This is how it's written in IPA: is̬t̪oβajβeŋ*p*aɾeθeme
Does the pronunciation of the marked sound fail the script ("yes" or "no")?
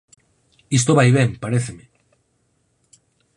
no